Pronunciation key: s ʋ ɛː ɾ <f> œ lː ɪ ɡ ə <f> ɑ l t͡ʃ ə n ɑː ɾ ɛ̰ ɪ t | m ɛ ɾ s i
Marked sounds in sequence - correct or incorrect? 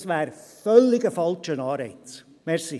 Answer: correct, correct

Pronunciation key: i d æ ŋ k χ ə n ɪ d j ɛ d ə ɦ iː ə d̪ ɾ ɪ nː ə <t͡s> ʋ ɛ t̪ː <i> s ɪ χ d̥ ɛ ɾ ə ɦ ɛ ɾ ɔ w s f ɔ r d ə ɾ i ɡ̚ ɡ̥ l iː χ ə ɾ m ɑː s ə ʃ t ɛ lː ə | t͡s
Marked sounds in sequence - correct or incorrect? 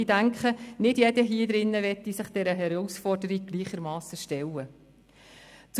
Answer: incorrect: none, correct

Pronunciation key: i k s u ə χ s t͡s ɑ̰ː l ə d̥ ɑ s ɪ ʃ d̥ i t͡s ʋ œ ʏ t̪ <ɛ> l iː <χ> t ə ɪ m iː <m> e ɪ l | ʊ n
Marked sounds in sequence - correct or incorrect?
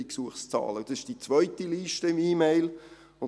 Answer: incorrect: i, incorrect: ʃ, correct

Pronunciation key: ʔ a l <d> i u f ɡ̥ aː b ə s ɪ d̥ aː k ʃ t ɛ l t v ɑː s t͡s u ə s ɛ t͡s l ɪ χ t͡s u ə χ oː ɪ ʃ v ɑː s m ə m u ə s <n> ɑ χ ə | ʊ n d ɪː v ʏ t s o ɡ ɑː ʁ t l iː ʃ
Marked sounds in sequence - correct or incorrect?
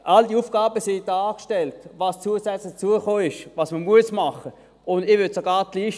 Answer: correct, incorrect: m

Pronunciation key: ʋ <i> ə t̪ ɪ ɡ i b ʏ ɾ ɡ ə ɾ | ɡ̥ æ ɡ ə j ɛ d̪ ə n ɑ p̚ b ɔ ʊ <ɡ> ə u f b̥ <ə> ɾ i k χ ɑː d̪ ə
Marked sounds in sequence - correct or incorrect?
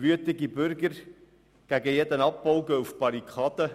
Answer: incorrect: y, correct, incorrect: ɑ

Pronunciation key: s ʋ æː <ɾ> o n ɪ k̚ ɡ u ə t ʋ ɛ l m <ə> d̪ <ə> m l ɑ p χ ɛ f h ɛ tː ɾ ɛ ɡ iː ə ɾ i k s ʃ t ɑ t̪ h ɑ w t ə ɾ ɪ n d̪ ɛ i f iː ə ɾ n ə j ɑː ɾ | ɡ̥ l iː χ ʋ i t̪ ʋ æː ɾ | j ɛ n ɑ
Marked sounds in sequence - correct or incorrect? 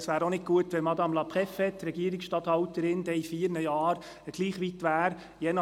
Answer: correct, incorrect: ɑ, incorrect: ɑ

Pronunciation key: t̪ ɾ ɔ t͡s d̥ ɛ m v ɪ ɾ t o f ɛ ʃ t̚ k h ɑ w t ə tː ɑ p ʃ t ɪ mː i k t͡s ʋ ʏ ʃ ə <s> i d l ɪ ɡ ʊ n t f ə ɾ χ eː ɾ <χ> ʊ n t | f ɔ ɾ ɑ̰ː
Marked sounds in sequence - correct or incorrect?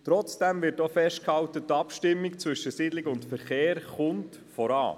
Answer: correct, correct

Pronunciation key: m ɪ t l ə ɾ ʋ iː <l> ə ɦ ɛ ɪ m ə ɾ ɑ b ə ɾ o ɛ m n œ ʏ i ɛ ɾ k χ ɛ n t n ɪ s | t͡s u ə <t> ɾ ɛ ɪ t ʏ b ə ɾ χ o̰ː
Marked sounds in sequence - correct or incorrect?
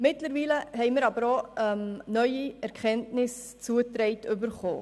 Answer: correct, correct

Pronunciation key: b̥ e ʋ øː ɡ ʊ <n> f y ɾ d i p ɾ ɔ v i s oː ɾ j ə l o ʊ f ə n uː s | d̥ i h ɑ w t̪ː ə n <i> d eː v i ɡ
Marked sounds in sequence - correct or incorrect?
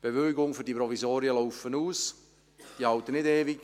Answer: incorrect: ŋ, incorrect: ɪ

